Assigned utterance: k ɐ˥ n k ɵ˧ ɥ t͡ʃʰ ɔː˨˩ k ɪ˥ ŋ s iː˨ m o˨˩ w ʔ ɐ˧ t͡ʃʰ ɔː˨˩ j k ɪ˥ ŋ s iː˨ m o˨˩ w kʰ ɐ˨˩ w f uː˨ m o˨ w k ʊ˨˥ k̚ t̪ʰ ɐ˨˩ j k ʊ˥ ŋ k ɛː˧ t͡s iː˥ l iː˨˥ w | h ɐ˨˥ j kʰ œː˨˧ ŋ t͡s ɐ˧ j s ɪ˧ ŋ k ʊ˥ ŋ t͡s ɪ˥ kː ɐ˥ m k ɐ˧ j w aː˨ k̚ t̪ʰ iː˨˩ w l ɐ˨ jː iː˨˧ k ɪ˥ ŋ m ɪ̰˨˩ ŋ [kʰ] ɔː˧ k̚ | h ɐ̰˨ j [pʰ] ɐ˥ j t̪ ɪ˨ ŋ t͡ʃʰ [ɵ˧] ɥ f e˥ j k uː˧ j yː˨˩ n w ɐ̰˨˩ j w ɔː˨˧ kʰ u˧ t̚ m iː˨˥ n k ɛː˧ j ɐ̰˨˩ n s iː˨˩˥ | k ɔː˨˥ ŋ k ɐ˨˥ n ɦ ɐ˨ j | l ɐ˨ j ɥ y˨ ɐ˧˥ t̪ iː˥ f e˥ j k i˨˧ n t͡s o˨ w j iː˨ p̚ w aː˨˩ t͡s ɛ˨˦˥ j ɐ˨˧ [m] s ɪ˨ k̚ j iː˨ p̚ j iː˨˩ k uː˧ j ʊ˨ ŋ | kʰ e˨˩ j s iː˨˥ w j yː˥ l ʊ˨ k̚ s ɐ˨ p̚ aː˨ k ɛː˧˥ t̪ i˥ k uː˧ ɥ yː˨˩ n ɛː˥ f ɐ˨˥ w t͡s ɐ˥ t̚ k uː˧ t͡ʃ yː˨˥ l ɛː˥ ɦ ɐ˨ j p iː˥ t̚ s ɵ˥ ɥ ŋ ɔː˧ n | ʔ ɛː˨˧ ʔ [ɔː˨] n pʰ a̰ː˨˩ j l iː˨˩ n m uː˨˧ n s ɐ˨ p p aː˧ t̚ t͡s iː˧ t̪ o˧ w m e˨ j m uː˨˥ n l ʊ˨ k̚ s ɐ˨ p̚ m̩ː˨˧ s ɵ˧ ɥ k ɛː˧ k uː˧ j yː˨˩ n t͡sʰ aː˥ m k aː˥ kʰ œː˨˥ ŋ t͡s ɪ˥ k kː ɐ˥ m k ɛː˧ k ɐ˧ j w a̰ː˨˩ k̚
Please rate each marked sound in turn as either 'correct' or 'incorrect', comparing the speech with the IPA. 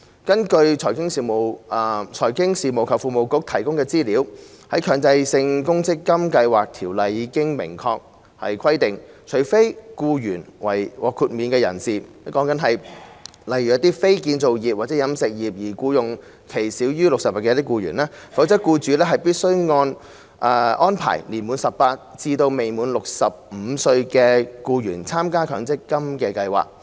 correct, incorrect: kʰ, incorrect: ɵ˨˩, correct, incorrect: ɔː˥

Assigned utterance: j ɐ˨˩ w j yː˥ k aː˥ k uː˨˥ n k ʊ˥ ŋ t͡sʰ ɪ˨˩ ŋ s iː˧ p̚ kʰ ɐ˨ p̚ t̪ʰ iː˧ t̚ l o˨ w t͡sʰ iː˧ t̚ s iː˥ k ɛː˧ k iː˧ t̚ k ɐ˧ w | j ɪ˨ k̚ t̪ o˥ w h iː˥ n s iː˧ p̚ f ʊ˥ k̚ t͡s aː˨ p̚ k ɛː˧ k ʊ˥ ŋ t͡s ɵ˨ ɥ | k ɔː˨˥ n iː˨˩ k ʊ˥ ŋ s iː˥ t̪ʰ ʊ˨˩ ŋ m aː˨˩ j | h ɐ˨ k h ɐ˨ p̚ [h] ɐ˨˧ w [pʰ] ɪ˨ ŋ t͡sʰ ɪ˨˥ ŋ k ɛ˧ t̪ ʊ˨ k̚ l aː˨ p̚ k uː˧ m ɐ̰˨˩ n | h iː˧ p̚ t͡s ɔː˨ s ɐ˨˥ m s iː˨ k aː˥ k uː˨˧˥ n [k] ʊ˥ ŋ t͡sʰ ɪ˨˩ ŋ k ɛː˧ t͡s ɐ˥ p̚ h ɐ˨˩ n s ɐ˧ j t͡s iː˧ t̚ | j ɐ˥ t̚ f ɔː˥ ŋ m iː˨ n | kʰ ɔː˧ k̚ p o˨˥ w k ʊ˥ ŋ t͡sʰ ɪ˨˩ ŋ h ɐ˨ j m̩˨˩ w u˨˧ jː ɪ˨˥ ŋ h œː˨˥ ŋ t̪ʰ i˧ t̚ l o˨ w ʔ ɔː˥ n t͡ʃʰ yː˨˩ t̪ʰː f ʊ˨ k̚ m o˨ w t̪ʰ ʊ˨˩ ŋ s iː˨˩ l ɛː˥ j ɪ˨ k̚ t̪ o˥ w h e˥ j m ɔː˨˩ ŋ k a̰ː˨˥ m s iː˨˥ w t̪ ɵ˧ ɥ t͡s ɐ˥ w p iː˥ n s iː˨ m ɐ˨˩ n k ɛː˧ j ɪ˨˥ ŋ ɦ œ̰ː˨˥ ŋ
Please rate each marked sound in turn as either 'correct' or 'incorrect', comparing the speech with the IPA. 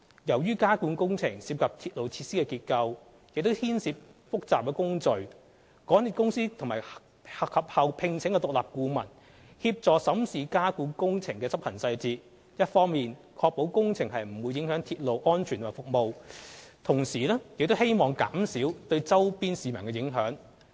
correct, correct, correct

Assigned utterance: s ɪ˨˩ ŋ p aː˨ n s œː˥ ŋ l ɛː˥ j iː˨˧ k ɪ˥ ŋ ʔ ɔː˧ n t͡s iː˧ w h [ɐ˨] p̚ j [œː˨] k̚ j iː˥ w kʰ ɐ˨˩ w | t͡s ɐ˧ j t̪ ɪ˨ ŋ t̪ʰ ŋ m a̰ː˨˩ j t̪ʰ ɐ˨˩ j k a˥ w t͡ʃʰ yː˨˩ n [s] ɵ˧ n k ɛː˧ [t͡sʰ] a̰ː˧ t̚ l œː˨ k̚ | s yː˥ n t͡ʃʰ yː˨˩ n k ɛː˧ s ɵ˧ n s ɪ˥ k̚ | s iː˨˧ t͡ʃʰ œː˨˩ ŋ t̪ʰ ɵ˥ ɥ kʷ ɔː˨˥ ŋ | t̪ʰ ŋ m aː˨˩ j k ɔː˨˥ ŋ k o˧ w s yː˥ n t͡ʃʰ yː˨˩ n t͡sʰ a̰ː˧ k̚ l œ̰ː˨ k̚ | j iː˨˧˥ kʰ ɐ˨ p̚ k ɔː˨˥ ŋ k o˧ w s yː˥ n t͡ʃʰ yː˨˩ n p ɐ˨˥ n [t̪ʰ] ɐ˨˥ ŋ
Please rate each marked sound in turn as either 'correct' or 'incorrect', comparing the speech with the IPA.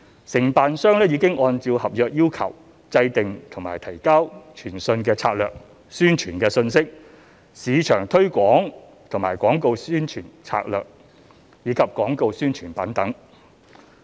correct, correct, correct, correct, incorrect: t̪

